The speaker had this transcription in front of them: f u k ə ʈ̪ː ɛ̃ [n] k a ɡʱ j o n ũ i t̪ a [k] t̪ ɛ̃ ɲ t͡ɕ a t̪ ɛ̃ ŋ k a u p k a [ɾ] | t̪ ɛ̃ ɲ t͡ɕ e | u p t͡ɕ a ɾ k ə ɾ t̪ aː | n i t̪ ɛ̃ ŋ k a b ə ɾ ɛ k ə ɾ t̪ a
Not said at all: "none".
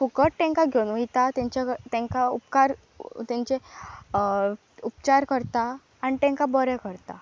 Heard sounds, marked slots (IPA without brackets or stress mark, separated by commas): ŋ, none, ɾ